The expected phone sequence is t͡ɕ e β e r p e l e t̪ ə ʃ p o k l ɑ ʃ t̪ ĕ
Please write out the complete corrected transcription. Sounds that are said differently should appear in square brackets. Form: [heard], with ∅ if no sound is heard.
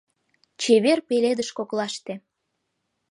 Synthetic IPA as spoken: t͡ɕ e β e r p e l e [d̪] ə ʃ [k] o k l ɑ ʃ t̪ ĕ